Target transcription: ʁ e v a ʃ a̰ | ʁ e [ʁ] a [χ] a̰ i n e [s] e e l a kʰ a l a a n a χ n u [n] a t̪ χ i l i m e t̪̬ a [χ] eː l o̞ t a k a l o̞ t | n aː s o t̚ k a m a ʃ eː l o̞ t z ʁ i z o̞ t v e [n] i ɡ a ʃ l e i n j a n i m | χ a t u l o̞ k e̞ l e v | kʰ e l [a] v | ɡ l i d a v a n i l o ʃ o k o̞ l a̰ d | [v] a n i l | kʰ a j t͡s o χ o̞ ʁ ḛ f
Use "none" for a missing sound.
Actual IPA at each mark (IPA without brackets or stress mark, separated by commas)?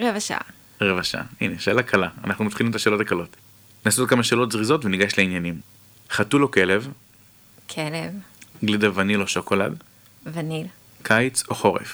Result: v, ʃ, ʃ, m, ʃ, n, e, v